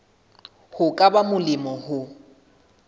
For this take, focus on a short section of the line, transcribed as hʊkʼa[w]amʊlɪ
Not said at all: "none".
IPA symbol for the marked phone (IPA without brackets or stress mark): b